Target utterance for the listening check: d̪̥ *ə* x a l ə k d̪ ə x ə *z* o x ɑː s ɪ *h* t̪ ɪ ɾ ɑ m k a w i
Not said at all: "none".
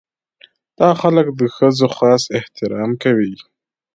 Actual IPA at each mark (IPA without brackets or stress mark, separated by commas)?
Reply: ɑ, z, h